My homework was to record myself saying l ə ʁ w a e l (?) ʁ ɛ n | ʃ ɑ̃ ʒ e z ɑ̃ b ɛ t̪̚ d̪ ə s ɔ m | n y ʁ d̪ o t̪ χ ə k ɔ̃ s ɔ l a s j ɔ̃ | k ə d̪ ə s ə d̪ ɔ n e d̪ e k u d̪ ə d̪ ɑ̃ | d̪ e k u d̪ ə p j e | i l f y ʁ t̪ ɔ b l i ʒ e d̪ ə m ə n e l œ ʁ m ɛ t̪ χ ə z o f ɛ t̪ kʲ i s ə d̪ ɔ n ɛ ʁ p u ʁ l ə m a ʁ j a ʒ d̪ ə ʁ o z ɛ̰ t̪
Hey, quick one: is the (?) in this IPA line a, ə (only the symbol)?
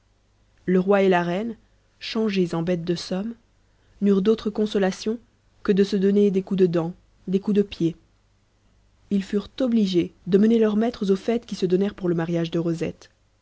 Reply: a